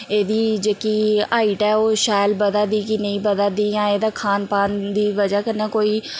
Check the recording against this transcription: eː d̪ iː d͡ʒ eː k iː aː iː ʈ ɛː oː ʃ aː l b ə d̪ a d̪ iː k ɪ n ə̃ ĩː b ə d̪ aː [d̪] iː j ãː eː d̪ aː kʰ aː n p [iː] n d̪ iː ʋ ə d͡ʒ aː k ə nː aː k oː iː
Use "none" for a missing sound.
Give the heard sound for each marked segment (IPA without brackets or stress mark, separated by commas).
d̪, aː